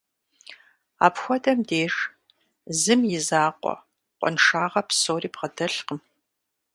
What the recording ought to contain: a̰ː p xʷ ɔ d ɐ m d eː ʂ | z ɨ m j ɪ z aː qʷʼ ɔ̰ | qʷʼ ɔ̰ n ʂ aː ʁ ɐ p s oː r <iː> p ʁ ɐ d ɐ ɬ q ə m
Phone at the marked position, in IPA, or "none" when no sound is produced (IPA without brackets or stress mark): iː